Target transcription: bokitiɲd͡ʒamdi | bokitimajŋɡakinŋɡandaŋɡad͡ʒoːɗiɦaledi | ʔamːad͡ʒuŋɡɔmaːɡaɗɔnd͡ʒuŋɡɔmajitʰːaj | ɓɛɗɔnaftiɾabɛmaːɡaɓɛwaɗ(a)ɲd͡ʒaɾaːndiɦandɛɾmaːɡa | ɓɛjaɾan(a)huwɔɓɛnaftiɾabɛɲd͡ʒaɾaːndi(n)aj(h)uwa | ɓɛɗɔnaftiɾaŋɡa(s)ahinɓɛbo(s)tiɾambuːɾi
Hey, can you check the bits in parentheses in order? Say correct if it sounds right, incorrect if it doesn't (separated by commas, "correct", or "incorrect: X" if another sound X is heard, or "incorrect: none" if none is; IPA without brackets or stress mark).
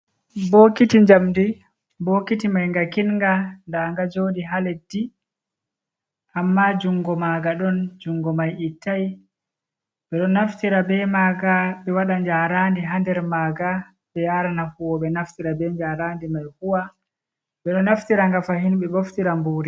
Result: correct, correct, incorrect: m, correct, incorrect: f, incorrect: f